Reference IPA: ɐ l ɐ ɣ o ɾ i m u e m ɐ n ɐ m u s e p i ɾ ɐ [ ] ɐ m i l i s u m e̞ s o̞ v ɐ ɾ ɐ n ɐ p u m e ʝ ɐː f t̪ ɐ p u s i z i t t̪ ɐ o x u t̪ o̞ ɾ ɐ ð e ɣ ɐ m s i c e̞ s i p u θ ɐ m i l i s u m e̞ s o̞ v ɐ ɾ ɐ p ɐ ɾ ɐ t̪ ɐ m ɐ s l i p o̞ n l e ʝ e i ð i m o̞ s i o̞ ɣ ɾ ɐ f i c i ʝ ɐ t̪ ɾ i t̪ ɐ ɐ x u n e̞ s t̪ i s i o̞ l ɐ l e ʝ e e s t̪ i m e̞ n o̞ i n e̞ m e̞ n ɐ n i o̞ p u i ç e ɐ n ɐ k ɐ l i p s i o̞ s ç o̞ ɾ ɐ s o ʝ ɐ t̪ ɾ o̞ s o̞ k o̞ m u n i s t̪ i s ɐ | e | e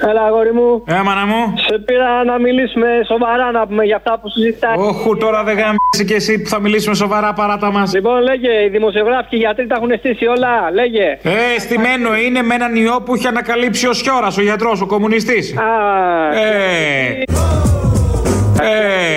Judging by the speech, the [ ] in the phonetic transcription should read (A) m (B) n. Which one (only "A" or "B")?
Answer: B